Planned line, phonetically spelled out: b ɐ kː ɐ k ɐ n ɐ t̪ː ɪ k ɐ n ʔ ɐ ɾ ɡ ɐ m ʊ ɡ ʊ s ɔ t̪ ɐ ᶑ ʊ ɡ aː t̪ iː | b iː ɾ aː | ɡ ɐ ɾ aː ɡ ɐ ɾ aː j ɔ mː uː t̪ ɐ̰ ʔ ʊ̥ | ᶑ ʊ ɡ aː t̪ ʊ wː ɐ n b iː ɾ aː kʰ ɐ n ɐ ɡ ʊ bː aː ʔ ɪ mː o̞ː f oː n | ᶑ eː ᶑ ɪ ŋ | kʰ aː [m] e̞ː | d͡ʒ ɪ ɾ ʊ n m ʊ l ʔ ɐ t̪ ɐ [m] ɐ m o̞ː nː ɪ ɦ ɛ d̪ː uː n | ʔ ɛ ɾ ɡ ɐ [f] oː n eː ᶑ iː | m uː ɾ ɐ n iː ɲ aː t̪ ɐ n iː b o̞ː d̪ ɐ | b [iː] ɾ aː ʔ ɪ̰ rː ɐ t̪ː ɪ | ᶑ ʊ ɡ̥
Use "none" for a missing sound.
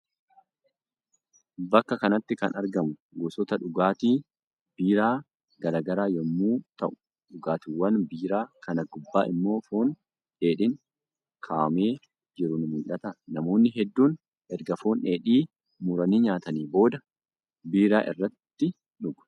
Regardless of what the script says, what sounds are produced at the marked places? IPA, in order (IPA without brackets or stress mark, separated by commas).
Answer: m, n, f, iː